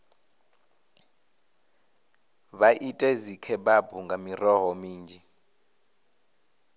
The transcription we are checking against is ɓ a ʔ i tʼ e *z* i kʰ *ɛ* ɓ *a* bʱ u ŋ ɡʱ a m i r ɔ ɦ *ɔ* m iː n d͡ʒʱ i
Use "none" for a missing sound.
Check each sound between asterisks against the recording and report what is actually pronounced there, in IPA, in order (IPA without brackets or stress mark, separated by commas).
z, ɛ, a, ɔ